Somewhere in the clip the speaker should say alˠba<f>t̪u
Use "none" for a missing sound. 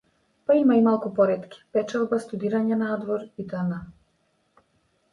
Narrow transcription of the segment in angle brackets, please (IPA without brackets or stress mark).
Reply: s